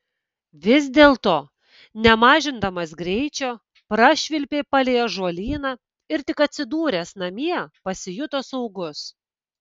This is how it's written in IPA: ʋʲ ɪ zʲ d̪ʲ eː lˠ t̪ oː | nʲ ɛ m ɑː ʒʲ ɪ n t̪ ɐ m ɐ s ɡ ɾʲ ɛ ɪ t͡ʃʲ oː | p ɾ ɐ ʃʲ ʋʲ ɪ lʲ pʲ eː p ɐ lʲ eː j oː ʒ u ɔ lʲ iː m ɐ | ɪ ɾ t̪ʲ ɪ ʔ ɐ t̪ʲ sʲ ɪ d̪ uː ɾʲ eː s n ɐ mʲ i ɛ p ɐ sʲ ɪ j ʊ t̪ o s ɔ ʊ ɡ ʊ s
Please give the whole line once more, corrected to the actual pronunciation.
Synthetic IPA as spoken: ʋʲ ɪ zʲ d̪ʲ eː lˠ t̪ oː | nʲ ɛ m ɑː ʒʲ ɪ n d̪ ɐ m ɐ s ɡ ɾʲ ɛ ɪ t͡ʃʲ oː | p ɾ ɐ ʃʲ ʋʲ ɪ lʲ pʲ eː p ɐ lʲ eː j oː ʒ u ɔ lʲ iː n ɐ | ɪ ɾ t̪ʲ ɪ k ɐ t̪ʲ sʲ ɪ d̪ uː ɾʲ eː s n ɐ mʲ i ɛ p ɐ sʲ ɪ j ʊ t̪ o s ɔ ʊ ɡ ʊ s

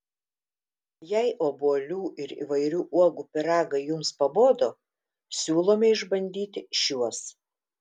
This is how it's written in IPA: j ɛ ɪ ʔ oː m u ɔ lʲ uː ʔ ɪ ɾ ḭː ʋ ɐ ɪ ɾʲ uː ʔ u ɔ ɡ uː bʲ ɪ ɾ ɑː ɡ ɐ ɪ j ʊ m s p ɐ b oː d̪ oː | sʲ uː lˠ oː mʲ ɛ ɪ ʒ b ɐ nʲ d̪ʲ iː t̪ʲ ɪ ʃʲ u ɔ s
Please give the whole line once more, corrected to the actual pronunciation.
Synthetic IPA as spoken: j ɛ ɪ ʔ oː b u ɔ lʲ uː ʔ ɪ ɾ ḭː ʋ ɐ ɪ ɾʲ uː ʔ u ɔ ɡ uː pʲ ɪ ɾ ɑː ɡ ɐ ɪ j ʊ m s p ɐ b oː d̪ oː | sʲ uː lˠ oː mʲ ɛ ɪ ʒ b ɐ nʲ d̪ʲ iː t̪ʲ ɪ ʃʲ u ɔ s

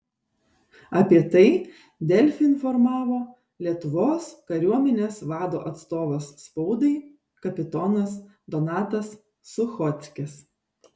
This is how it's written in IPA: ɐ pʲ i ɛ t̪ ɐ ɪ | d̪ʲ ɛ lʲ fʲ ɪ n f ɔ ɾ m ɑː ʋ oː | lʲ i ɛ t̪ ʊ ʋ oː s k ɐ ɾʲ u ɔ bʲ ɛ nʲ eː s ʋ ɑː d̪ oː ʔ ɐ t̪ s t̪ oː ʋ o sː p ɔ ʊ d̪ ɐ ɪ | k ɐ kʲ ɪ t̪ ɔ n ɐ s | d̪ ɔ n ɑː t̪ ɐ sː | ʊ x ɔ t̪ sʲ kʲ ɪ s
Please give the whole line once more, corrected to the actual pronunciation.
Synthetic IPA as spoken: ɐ pʲ i ɛ t̪ ɐ ɪ | d̪ʲ ɛ lʲ fʲ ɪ n f ɔ ɾ m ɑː ʋ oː | lʲ i ɛ t̪ ʊ ʋ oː s k ɐ ɾʲ u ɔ mʲ ɛ nʲ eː s ʋ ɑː d̪ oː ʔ ɐ t̪ s t̪ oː ʋ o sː p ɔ ʊ d̪ ɐ ɪ | k ɐ pʲ ɪ t̪ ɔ n ɐ s | d̪ ɔ n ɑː t̪ ɐ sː | ʊ x ɔ t̪ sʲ kʲ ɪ s

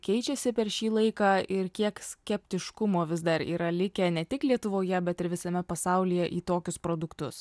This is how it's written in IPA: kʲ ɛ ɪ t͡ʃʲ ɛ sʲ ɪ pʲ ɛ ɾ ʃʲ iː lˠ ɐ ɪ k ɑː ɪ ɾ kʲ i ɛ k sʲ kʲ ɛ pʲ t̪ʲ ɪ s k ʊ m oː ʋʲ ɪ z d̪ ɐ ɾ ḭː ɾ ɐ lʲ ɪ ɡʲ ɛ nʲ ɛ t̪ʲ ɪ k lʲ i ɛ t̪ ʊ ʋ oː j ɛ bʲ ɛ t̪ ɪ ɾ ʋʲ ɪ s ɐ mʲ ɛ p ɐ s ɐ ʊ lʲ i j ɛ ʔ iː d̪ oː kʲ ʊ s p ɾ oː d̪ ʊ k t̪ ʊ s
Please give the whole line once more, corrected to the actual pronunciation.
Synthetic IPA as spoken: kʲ ɛ ɪ t͡ʃʲ ɛ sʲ ɪ pʲ ɛ ɾ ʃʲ iː lˠ ɐ ɪ k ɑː ɪ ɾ kʲ i ɛ k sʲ kʲ ɛ pʲ t̪ʲ ɪ ʃ k ʊ m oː ʋʲ ɪ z d̪ ɐ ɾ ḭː ɾ ɐ lʲ ɪ kʲ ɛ nʲ ɛ t̪ʲ ɪ k lʲ i ɛ t̪ ʊ ʋ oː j ɛ bʲ ɛ t̪ ɪ ɾ ʋʲ ɪ s ɐ mʲ ɛ p ɐ s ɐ ʊ lʲ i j ɛ ʔ iː t̪ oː kʲ ʊ s p ɾ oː d̪ ʊ k t̪ ʊ s

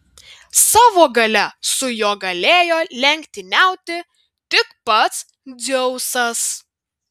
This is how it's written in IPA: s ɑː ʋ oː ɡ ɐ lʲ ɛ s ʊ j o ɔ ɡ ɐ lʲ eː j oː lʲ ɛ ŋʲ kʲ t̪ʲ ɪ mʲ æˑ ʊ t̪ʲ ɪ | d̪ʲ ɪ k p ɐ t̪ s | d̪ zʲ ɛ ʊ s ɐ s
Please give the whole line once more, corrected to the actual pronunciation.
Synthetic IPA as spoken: s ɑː ʋ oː ɡ ɐ lʲ ɛ s ʊ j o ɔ ɡ ɐ lʲ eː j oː lʲ ɛ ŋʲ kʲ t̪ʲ ɪ nʲ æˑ ʊ t̪ʲ ɪ | t̪ʲ ɪ k p ɐ t̪ s | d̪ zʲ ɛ ʊ s ɐ s

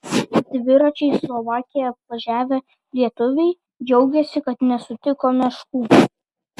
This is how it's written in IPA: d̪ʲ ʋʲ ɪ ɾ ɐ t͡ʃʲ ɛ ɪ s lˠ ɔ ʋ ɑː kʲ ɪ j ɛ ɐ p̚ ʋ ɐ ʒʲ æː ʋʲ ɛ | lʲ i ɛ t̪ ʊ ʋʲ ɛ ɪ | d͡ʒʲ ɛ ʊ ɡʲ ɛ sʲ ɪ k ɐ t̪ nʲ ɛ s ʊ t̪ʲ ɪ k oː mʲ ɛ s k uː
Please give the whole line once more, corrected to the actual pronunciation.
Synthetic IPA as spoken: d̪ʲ ʋʲ ɪ ɾ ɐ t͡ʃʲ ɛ ɪ s lˠ ɔ ʋ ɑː kʲ ɪ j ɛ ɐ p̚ ʋ ɐ ʒʲ æː ʋʲ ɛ | lʲ i ɛ t̪ ʊ ʋʲ ɛ ɪ | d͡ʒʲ ɛ ʊ ɡʲ ɛ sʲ ɪ k ɐ t̪ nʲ ɛ s ʊ t̪ʲ ɪ k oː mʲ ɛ ʃ k uː

